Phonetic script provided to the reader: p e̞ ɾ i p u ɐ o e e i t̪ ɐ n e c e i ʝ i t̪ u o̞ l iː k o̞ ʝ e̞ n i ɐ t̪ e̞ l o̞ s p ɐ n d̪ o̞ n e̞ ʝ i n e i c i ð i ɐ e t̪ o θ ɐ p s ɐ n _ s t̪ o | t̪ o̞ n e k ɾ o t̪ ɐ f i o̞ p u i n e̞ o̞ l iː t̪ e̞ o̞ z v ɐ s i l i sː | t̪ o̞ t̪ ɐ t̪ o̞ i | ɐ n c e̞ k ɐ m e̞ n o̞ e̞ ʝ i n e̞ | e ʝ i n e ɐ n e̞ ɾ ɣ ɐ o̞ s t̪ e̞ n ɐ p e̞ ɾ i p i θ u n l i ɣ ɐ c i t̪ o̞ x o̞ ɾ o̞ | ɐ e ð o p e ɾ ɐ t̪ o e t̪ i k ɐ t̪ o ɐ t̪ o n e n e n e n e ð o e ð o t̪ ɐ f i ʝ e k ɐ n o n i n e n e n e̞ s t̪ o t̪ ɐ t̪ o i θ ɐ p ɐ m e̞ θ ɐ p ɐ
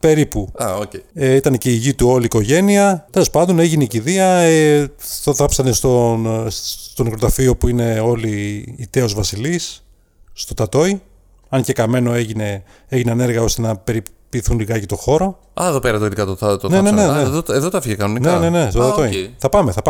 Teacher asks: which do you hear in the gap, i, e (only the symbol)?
e